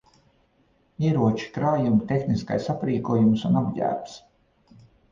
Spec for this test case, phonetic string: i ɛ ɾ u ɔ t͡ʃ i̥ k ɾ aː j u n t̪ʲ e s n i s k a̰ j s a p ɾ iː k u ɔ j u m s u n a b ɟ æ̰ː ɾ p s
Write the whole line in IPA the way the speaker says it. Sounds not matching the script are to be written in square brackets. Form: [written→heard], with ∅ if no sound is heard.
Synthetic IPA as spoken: i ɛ ɾ u ɔ t͡ʃ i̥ k ɾ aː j u [n→m] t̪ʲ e [s→x] n i s k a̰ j s a p ɾ iː k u ɔ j u m s u n a b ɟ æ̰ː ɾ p s